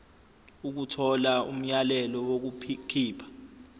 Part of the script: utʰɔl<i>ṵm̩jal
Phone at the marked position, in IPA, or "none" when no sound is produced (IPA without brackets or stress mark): a